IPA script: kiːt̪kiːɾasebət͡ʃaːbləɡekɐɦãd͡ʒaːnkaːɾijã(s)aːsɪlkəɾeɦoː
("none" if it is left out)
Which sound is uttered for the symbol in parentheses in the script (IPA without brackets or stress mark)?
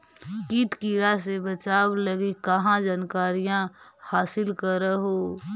h